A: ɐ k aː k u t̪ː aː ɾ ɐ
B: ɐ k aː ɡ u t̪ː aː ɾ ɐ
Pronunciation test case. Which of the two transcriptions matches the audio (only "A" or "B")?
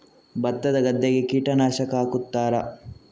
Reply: A